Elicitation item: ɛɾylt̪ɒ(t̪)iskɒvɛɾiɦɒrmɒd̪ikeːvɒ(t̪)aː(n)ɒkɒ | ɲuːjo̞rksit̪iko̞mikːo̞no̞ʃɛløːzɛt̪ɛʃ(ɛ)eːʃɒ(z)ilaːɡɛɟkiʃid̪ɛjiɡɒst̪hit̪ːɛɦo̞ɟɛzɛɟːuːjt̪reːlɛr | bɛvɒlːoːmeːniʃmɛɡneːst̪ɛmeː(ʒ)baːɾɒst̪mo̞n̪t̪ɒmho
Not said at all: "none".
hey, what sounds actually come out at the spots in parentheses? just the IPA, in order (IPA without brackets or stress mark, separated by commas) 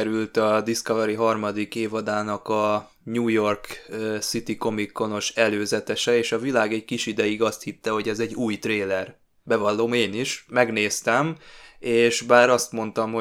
d̪, d̪, n, ɛ, v, ʃ